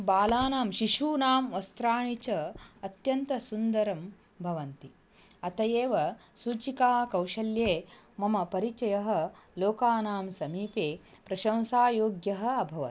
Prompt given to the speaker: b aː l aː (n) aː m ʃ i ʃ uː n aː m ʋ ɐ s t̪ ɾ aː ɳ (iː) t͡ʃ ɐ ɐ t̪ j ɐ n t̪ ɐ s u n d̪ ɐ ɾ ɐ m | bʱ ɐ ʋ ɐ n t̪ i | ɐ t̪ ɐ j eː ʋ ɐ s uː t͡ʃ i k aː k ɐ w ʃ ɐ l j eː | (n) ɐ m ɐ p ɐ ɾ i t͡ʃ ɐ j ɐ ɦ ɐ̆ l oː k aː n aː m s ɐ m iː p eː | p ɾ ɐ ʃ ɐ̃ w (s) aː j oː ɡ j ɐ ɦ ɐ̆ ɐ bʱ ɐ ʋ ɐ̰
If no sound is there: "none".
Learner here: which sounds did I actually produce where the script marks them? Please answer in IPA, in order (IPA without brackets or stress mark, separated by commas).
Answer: n, i, m, s